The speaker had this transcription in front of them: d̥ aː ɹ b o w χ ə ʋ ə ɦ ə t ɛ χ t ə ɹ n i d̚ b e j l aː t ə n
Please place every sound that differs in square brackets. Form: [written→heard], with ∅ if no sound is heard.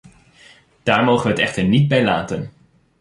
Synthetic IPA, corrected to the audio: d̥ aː ɹ [b→m] o w χ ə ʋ ə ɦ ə t ɛ χ t ə ɹ n i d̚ b [e→ɛ] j l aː t ə n